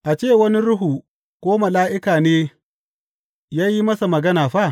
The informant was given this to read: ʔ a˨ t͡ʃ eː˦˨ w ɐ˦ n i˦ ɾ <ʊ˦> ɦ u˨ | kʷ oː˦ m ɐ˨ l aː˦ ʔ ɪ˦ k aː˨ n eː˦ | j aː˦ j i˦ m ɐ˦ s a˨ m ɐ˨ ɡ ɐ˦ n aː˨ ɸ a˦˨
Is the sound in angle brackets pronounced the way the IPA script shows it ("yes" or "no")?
yes